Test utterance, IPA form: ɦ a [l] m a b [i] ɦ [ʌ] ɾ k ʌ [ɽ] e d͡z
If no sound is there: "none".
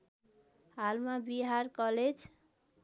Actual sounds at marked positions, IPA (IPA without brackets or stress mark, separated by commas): l, i, a, l